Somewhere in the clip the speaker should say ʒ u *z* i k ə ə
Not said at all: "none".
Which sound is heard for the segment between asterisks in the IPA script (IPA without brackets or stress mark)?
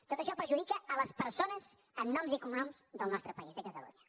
ð